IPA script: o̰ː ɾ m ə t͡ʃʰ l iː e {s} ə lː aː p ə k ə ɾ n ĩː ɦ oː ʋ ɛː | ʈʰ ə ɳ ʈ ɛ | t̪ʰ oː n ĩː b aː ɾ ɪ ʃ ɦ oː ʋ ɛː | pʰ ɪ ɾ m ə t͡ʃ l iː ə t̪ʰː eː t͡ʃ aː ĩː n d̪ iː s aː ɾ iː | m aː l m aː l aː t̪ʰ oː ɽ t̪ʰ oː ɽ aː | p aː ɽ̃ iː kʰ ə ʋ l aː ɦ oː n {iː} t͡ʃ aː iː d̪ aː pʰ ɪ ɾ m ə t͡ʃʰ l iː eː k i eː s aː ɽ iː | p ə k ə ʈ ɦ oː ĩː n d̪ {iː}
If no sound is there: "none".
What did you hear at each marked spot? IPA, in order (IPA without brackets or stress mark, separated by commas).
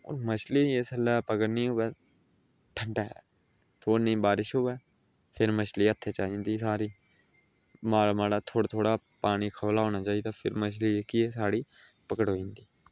s, aː, iː